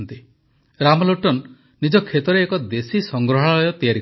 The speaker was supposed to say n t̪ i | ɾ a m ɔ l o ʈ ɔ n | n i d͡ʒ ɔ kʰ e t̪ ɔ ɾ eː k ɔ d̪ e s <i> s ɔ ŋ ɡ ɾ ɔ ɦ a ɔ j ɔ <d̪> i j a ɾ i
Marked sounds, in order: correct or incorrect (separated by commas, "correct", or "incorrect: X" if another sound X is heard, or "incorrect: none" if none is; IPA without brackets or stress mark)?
correct, incorrect: t̪